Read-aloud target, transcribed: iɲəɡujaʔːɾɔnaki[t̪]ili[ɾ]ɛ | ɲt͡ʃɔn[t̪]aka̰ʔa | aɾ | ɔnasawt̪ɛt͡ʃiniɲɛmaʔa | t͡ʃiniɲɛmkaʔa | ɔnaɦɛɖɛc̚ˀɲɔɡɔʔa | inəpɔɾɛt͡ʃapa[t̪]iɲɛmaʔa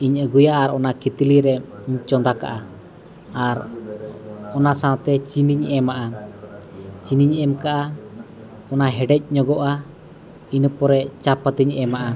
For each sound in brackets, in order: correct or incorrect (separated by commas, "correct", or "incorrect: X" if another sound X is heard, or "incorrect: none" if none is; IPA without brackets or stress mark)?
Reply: correct, correct, incorrect: d̪, correct